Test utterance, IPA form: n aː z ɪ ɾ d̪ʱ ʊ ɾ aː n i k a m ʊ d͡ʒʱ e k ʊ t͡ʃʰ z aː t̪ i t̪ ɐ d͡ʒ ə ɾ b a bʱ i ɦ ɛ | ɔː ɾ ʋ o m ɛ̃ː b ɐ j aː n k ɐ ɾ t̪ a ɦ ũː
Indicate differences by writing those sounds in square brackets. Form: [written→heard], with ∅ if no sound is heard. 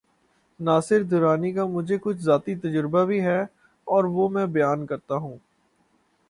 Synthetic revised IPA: n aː [z→s] ɪ ɾ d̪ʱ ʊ ɾ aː n i k a m ʊ d͡ʒʱ e k ʊ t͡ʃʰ z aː t̪ i t̪ ɐ d͡ʒ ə ɾ b a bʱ i ɦ ɛ | ɔː ɾ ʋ o m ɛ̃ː b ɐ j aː n k ɐ ɾ t̪ a ɦ ũː